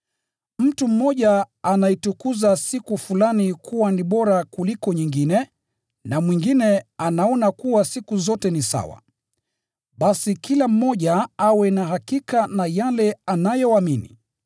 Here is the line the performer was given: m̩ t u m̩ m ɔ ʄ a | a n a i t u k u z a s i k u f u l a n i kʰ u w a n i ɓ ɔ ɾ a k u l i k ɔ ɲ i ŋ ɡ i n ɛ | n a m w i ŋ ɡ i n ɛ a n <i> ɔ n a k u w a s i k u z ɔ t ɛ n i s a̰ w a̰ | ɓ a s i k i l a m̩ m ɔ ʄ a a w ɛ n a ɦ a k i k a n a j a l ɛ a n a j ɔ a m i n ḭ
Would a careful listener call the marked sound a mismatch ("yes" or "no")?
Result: yes